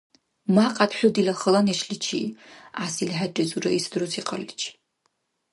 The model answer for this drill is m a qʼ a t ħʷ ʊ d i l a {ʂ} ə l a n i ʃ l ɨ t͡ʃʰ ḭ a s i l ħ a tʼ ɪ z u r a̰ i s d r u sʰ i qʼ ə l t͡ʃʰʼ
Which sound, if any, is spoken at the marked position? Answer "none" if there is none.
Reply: χ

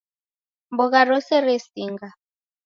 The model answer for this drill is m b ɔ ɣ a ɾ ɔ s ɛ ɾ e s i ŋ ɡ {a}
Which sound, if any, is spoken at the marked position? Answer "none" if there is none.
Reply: a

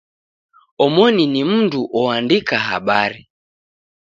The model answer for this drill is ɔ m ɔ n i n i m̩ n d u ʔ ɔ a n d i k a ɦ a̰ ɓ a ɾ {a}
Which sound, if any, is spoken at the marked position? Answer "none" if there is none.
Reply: i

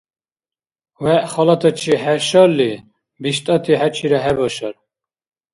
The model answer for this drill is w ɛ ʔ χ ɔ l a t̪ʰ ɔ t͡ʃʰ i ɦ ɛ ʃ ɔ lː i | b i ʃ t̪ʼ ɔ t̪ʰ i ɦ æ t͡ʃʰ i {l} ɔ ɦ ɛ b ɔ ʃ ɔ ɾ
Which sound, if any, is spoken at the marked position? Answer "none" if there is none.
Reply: ɾ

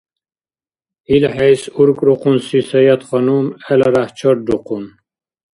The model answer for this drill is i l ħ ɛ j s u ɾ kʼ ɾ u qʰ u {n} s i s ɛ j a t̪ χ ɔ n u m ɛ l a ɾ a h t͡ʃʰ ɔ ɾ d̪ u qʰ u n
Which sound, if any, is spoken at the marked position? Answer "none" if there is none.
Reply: n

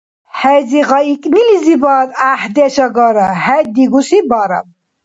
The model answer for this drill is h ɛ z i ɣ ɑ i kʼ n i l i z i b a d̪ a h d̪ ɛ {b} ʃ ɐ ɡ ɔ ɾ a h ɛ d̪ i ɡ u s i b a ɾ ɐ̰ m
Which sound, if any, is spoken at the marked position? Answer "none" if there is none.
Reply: none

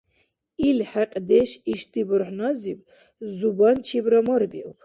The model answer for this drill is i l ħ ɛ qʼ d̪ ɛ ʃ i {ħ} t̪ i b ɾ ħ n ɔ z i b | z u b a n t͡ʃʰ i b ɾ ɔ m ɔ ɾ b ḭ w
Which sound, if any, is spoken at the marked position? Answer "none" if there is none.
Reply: ʃ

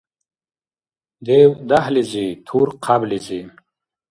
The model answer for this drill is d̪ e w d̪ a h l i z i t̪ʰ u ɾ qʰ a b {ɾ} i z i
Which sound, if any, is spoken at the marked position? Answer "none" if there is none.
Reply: l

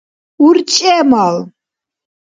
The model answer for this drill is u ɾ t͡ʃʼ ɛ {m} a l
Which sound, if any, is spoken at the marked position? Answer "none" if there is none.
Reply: m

